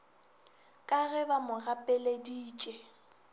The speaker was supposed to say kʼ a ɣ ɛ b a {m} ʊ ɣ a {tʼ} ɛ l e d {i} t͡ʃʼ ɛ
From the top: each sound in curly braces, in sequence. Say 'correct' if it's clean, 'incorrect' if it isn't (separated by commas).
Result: correct, incorrect, incorrect